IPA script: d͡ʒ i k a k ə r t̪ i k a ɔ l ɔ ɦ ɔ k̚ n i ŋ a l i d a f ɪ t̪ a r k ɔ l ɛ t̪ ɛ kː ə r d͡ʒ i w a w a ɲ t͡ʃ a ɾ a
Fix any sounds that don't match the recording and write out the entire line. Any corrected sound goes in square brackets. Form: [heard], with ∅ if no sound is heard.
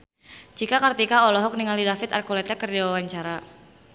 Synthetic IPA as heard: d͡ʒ i k a k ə r t̪ i k a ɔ l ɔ ɦ ɔ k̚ n i ŋ a l i d a f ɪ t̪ a r k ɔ l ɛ t̪ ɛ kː ə r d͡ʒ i w a w a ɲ t͡ʃ a ɾ a